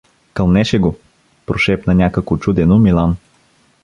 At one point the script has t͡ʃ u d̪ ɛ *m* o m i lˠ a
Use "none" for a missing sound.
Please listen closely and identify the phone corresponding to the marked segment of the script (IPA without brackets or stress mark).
n